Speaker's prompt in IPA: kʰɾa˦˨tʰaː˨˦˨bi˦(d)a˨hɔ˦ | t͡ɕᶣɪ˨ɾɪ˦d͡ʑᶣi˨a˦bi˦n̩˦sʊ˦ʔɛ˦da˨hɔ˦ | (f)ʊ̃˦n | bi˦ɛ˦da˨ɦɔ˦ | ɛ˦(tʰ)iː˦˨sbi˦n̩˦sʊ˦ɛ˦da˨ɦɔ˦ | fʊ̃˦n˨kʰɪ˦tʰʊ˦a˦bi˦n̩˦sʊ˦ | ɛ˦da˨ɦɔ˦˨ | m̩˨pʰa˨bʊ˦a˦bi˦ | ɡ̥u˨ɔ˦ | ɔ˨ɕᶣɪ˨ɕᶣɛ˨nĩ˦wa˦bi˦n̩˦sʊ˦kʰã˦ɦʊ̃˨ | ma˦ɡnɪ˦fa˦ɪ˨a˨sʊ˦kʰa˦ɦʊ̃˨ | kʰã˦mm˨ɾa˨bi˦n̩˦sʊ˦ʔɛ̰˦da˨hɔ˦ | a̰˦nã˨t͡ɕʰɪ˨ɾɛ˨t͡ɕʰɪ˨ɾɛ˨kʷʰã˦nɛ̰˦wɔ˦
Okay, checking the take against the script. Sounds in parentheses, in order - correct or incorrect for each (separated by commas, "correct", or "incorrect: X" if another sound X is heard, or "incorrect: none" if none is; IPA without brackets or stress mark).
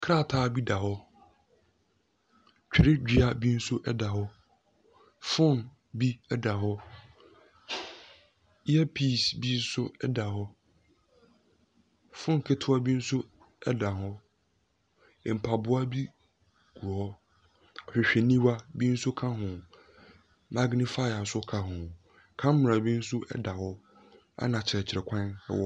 correct, correct, incorrect: pʰ